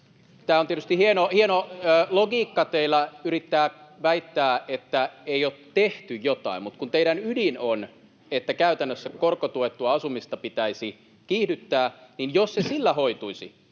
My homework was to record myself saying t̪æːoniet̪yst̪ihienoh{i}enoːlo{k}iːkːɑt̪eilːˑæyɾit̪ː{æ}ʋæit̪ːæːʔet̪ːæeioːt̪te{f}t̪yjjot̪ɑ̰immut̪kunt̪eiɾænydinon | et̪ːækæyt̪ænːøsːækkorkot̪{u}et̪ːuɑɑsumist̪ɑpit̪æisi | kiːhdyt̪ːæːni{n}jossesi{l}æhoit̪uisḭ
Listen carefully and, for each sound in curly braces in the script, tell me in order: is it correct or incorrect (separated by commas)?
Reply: correct, incorrect, incorrect, incorrect, correct, correct, incorrect